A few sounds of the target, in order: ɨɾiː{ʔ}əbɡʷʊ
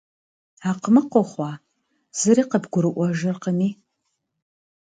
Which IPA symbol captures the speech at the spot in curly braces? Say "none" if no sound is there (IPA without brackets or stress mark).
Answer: q